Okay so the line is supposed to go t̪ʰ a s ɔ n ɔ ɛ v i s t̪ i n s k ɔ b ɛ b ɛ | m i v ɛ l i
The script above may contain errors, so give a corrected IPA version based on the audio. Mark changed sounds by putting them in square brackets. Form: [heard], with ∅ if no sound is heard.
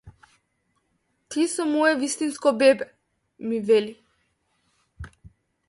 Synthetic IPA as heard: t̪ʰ [i] s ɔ [m] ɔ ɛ v i s t̪ i n s k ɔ b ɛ b ɛ | m i v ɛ l i